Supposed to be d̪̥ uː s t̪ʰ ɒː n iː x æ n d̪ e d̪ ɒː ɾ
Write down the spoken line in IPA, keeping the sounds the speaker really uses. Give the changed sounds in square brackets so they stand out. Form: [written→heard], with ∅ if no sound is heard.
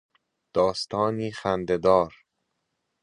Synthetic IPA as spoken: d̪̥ [uː→ɒː] s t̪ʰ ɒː n iː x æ n d̪ e d̪ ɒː ɾ